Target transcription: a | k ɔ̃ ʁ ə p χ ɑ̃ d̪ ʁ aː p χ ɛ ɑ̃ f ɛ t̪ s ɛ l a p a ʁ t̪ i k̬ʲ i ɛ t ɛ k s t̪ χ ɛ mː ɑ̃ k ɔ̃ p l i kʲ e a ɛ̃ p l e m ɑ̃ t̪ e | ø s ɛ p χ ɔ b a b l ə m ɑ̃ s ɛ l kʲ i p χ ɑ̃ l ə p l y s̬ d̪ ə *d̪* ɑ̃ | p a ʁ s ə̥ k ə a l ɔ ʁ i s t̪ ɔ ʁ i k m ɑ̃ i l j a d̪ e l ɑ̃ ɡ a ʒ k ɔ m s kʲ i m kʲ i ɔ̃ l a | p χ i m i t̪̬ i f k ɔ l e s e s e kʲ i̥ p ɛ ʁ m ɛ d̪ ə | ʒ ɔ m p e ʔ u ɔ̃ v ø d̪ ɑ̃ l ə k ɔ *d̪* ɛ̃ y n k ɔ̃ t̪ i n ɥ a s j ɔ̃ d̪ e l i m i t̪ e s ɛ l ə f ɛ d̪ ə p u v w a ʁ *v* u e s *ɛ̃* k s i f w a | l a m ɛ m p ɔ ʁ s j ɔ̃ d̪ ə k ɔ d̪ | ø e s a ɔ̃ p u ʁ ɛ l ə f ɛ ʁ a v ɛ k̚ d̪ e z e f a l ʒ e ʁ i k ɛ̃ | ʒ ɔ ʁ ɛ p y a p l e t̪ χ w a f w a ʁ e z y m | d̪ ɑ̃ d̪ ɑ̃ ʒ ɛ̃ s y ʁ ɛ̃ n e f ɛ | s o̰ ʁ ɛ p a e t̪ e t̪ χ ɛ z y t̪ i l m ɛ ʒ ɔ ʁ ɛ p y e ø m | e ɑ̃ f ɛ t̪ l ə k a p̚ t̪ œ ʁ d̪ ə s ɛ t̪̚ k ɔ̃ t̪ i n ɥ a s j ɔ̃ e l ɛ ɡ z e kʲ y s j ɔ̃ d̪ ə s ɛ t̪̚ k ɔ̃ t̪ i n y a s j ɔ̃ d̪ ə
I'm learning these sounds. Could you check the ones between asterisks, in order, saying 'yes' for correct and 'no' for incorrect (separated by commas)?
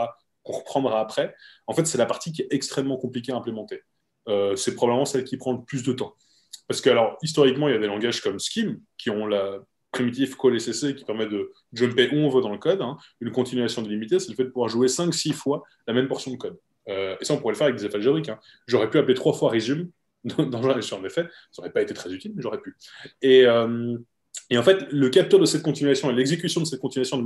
no, yes, no, yes